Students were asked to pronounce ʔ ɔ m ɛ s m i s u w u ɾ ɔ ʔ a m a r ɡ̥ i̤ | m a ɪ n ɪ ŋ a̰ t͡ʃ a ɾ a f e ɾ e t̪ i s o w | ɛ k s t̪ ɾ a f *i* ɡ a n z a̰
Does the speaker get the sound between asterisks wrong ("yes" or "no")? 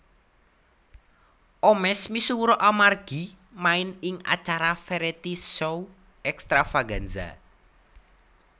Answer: yes